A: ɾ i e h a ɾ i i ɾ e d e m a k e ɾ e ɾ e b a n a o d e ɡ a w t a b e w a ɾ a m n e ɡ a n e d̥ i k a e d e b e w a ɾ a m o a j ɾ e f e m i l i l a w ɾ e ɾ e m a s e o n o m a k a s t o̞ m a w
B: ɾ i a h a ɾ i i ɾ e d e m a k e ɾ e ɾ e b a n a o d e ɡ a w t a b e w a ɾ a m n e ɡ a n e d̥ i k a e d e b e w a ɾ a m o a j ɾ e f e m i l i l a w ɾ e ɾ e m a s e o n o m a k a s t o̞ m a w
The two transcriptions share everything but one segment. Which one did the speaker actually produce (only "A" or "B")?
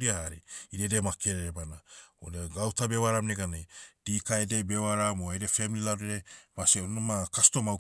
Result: B